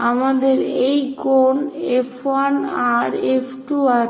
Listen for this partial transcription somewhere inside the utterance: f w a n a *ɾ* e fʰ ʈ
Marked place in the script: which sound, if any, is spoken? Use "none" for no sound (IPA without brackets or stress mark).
ɾ